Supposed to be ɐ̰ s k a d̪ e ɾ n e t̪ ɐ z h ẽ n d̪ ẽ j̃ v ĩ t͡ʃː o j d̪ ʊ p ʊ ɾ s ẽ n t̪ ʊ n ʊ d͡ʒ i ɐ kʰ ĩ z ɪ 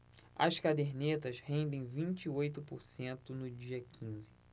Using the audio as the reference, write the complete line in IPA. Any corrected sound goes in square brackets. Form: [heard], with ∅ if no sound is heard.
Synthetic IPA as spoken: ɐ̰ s k a d̪ e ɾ n e t̪ ɐ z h ẽ n d̪ ẽ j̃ v ĩ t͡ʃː o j [t̪] ʊ p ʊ ɾ s ẽ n t̪ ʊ n ʊ d͡ʒ i ɐ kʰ ĩ z ɪ